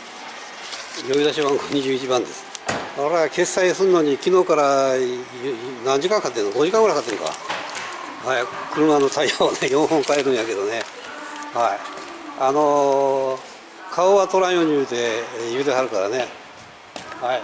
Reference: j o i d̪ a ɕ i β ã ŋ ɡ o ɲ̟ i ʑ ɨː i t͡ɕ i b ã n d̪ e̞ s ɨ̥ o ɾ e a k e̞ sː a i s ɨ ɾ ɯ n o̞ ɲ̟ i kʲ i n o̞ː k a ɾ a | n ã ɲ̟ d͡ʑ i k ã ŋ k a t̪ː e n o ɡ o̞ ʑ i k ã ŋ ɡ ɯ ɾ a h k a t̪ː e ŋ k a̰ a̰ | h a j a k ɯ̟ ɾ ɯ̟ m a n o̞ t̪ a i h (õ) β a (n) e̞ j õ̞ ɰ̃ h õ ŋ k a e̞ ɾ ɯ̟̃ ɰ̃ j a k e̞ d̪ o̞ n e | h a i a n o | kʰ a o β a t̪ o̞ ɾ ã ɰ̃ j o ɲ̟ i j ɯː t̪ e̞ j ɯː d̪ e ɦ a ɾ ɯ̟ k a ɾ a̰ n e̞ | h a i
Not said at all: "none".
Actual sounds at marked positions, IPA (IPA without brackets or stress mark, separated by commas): o, n